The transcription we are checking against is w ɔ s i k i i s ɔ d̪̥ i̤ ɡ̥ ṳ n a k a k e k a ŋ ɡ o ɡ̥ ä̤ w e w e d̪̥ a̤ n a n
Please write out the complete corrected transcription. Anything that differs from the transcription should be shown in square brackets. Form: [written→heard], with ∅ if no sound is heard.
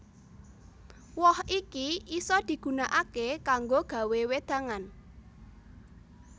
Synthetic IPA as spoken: w ɔ [s→h] i k i i s ɔ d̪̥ i̤ ɡ̥ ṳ n a [k→ʔ] a k e k a ŋ ɡ o ɡ̥ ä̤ w e w e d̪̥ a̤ [n→ŋ] a n